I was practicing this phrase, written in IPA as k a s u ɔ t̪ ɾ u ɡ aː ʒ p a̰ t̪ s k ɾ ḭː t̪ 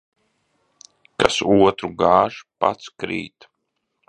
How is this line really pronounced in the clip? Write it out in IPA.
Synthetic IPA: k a s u ɔ t̪ ɾ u ɡ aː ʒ p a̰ t̪ s k ɾ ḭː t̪